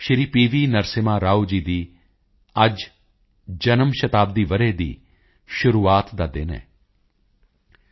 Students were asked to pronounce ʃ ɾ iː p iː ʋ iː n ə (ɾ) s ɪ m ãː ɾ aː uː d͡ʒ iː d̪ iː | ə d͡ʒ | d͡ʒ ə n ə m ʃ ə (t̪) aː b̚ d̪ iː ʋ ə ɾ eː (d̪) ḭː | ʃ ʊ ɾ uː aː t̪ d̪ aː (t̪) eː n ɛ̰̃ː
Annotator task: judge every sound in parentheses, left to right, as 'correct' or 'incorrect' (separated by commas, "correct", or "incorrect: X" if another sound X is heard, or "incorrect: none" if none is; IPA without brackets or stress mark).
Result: correct, correct, correct, incorrect: d̪